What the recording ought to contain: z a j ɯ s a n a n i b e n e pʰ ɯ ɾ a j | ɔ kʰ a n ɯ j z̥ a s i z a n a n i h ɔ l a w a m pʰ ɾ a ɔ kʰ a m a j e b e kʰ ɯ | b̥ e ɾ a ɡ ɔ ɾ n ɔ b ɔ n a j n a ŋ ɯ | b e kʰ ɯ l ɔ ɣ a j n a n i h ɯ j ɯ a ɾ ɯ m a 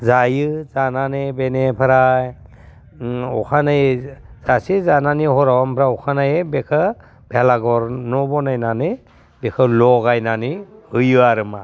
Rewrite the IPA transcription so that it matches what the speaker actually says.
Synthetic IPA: z a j ɯ z a n a n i b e n e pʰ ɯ ɾ a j | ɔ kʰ a n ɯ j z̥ a s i z a n a n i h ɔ ɾ a w a m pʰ ɾ a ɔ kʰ a n a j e b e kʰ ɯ | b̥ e l a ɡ ɔ ɾ n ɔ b ɔ n a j n a n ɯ | b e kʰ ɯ l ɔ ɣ a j n a n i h ɯ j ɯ a ɾ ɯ m a